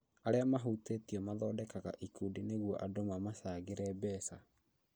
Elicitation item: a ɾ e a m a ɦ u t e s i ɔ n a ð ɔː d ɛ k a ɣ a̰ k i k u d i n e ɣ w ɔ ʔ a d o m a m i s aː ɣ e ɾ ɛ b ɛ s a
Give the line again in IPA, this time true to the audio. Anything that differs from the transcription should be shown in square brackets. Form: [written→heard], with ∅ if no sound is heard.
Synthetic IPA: a ɾ e a m a ɦ u t e [s→t] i ɔ [n→m] a ð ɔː d ɛ k a ɣ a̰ [k→ʔ] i k u d i n e ɣ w ɔ ʔ a d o m a m [i→a] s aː ɣ e ɾ ɛ b ɛ s a